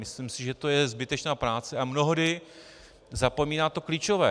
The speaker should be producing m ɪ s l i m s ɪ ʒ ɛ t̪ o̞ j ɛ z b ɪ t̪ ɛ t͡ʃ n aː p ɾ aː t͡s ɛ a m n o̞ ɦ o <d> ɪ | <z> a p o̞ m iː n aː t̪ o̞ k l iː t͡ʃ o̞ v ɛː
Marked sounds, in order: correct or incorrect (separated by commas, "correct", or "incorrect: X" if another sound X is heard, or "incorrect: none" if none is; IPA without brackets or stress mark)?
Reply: correct, correct